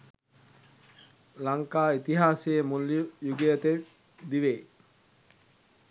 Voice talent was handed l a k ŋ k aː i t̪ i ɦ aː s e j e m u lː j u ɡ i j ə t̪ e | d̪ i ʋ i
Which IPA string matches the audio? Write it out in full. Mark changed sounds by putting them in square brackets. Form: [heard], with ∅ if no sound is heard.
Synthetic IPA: l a [∅] ŋ k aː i t̪ i ɦ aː s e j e m u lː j u ɡ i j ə t̪ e | d̪ i ʋ [e]